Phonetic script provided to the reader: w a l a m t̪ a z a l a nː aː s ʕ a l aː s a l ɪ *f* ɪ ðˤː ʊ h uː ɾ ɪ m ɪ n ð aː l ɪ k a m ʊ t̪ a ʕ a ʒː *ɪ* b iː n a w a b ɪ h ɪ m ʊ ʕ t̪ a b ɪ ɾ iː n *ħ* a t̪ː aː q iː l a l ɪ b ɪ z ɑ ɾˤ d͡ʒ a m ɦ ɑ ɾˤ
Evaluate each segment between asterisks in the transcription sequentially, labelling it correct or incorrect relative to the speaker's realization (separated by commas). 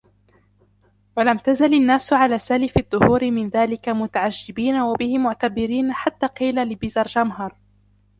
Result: correct, correct, correct